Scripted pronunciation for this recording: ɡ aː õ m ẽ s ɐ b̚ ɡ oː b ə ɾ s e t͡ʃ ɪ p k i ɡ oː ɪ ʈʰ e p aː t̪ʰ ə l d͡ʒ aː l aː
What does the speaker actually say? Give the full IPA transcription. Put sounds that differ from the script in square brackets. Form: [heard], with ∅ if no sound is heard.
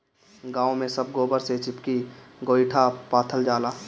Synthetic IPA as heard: ɡ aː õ m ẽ s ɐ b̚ ɡ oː b ə ɾ s e t͡ʃ ɪ p k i ɡ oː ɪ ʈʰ [a] p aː t̪ʰ ə l d͡ʒ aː l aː